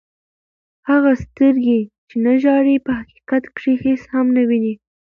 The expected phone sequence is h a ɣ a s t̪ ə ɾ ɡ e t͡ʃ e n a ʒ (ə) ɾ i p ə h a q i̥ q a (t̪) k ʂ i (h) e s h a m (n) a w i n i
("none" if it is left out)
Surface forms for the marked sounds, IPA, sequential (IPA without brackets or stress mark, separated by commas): ɑ, t̪, h, n